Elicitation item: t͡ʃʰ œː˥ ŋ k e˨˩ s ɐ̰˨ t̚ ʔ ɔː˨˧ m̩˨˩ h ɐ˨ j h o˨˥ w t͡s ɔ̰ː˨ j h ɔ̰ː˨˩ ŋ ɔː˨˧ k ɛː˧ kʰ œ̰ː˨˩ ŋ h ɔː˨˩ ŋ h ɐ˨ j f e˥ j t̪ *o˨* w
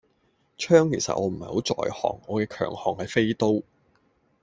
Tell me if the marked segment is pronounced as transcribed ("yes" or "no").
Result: no